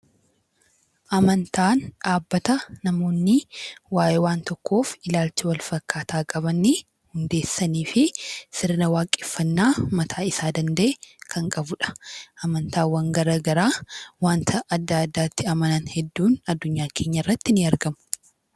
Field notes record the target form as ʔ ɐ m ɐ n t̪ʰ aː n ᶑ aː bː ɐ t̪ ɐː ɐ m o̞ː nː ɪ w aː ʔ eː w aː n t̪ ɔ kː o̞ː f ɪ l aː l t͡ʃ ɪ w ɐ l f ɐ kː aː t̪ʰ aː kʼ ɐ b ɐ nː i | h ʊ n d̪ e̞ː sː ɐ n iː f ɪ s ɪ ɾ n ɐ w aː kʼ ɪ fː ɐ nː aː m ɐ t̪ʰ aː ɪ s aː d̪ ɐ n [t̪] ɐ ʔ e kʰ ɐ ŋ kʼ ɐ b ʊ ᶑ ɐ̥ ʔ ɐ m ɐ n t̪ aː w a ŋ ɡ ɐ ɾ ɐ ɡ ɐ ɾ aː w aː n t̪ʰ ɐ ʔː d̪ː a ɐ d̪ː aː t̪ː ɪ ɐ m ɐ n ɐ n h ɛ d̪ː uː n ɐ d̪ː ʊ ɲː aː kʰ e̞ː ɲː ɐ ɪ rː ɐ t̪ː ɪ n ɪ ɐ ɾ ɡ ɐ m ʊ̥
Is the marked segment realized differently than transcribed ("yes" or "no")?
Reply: yes